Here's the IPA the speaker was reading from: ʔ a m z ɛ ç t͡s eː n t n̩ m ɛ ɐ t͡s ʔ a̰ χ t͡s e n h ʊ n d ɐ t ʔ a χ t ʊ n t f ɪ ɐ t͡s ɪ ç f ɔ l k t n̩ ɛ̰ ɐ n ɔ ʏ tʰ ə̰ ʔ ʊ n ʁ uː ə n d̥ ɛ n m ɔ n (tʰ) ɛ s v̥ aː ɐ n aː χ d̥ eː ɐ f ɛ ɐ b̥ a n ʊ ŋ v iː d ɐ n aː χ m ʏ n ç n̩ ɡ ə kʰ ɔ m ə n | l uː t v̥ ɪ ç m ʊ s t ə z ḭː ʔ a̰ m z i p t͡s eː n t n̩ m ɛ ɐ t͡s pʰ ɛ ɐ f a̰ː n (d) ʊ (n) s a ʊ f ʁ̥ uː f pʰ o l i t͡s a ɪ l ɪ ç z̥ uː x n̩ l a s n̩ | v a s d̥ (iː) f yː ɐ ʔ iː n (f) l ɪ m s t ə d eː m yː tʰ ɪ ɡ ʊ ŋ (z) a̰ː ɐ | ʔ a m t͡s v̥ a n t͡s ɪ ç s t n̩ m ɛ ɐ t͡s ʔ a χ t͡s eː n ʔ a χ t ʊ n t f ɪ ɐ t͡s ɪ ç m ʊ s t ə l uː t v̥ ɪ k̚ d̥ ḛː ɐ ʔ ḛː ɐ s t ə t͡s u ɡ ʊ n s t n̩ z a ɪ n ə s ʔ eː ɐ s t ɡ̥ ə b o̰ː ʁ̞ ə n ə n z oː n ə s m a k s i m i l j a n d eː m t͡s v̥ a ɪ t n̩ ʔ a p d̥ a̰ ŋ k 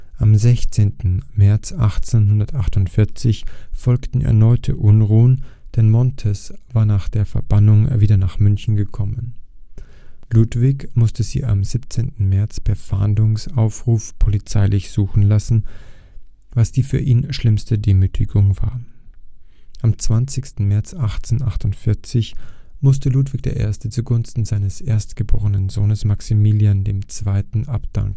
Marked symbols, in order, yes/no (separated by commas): yes, yes, no, yes, no, no